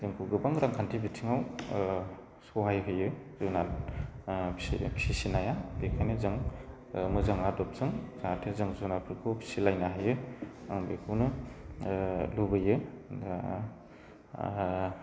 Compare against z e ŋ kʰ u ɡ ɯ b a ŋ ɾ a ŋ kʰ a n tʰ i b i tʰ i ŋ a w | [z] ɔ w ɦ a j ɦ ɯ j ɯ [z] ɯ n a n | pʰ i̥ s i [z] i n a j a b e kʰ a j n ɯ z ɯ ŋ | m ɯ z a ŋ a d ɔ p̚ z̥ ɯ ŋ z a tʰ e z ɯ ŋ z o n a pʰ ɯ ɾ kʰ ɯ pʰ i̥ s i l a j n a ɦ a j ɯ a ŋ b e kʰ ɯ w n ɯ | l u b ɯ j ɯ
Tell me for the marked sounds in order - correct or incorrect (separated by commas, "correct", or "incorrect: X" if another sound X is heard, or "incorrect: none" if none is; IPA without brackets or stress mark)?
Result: incorrect: s, correct, incorrect: s